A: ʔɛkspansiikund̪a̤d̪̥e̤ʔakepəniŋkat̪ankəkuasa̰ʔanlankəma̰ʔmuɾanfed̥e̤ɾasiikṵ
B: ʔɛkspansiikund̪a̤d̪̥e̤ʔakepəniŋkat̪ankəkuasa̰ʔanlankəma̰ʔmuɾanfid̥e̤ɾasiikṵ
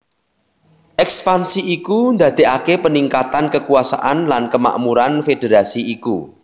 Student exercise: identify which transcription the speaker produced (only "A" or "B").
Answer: A